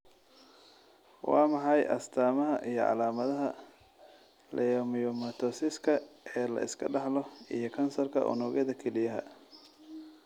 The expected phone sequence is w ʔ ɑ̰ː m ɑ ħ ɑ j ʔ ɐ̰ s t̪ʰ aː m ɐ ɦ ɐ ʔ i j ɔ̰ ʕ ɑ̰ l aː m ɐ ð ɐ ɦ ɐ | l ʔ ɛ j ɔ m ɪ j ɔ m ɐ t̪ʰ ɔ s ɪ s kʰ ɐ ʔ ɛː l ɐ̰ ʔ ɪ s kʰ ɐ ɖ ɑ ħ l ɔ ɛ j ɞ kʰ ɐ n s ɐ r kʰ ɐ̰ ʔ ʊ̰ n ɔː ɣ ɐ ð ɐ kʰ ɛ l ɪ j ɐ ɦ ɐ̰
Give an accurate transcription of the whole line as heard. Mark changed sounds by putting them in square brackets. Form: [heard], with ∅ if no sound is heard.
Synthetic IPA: w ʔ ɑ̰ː m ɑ ħ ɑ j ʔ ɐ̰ s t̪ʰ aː m ɐ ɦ ɐ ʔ i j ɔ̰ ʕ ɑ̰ l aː m ɐ ð ɐ ɦ ɐ | l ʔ ɛ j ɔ m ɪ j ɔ m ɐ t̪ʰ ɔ s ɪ s kʰ ɐ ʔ ɛː l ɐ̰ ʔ ɪ s kʰ ɐ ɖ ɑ ħ l ɔ [i] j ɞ kʰ ɐ n s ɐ r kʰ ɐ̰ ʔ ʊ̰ n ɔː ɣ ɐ ð ɐ kʰ ɛ l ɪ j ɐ ɦ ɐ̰